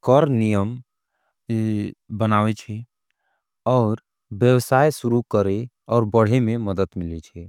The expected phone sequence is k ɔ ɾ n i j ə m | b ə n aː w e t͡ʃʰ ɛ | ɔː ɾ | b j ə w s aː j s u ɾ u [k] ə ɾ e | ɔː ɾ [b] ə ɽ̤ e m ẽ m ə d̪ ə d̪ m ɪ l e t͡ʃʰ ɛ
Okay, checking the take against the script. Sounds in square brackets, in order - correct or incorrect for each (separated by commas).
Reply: correct, correct